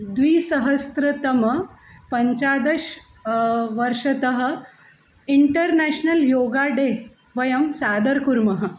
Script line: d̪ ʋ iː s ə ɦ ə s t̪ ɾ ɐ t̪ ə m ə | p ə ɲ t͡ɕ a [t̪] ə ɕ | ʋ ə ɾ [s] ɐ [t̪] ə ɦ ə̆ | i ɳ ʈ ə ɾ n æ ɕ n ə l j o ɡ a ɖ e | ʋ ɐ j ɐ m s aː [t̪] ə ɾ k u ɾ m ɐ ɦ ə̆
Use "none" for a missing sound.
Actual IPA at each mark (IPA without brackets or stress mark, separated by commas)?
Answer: d̪, ʂ, t̪, d̪